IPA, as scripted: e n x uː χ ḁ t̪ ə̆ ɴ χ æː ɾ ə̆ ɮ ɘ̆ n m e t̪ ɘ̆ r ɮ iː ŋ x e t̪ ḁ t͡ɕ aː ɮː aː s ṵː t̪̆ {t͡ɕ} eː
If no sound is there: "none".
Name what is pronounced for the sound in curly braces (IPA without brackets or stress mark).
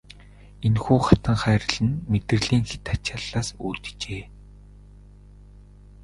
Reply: t͡ɕ